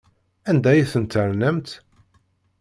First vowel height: low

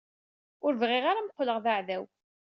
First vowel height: high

